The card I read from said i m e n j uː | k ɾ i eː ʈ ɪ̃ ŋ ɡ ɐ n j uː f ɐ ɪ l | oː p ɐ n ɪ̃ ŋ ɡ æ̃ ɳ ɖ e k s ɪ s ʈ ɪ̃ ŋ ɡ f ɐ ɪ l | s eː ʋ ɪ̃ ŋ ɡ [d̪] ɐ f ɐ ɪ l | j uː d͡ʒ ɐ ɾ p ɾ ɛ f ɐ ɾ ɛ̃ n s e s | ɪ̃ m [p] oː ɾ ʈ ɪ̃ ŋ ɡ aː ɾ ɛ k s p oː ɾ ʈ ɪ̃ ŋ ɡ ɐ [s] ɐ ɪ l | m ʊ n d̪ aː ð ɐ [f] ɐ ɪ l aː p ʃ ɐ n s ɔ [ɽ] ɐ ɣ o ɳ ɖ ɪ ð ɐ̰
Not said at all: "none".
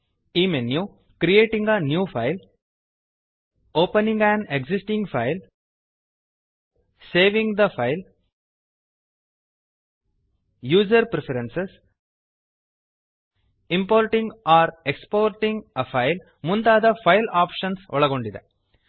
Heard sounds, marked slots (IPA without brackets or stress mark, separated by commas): d̪, p, f, f, ɭ